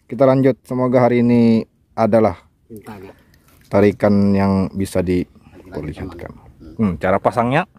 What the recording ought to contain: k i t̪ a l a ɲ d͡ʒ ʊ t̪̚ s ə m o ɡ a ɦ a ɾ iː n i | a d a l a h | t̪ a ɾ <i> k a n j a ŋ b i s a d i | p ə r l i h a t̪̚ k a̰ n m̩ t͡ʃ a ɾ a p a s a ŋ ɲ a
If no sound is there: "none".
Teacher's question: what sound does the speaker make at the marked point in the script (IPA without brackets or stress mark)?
i